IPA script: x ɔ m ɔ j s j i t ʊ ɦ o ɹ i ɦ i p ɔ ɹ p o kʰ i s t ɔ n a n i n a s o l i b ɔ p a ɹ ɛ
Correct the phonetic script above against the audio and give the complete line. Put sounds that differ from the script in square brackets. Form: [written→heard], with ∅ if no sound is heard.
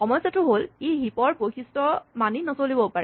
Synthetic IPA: x ɔ m ɔ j s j [i→a] t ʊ ɦ o [ɹ→l] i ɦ i p ɔ ɹ p o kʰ i s t ɔ [n→m] a n i n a s o l i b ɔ p a ɹ ɛ